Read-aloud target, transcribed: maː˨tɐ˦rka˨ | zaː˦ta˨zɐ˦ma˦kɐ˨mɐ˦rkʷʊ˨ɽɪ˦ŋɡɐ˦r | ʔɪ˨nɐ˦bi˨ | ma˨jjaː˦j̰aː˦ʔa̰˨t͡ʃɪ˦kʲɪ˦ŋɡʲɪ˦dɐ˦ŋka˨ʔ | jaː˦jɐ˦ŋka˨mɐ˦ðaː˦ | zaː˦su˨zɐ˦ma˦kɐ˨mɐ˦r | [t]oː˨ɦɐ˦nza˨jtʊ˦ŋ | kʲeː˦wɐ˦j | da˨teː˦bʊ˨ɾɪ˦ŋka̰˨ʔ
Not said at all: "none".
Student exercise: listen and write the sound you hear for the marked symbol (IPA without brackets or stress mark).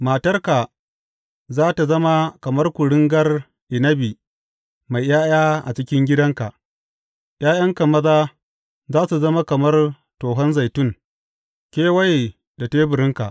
t